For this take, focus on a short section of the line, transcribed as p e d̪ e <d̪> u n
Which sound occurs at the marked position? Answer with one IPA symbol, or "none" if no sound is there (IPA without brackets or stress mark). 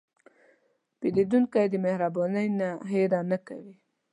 d̪